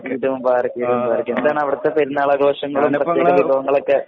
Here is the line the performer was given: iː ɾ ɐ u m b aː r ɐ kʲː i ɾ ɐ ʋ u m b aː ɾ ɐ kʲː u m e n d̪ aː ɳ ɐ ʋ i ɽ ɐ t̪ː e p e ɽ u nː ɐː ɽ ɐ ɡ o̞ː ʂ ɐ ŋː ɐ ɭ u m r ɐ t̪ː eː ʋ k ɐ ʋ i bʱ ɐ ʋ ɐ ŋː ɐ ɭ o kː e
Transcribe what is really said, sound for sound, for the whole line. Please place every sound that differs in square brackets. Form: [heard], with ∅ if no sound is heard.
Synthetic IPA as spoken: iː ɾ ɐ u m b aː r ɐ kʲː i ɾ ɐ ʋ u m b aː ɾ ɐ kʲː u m e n d̪ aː ɳ ɐ ʋ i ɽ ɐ t̪ː e p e [ɾ] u nː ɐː [ɭ] ɐ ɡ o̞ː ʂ ɐ ŋː ɐ ɭ u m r ɐ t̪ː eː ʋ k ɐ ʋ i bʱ ɐ ʋ ɐ ŋː ɐ ɭ o kː e